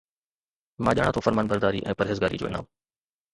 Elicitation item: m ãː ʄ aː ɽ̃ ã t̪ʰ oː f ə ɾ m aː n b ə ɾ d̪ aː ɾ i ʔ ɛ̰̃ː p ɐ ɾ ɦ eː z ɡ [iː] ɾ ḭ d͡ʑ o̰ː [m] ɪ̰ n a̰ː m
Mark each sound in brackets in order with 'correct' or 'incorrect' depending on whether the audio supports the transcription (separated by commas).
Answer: incorrect, incorrect